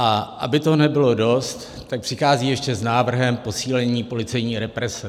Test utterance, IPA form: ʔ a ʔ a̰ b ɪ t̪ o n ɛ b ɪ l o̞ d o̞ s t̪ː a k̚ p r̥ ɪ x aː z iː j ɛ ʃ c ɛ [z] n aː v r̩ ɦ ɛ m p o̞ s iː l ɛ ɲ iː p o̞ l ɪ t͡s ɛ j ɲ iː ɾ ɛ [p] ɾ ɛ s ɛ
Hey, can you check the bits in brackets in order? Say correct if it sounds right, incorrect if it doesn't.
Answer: correct, correct

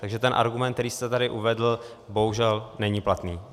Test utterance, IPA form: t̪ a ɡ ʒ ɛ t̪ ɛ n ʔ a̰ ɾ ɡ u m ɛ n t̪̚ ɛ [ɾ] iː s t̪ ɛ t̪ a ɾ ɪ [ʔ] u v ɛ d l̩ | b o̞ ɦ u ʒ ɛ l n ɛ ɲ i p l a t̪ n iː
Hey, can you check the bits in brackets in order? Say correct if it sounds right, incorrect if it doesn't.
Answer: correct, correct

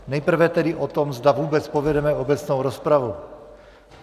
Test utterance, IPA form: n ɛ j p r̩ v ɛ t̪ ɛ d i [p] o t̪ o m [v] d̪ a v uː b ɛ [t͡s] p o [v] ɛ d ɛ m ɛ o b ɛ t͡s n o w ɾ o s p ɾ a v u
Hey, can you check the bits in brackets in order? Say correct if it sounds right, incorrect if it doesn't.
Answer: incorrect, incorrect, correct, correct

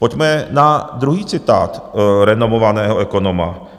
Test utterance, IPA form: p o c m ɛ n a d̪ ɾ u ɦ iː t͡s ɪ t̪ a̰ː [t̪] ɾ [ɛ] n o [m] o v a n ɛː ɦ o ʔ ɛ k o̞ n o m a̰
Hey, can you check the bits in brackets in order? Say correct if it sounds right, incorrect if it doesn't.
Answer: correct, correct, correct

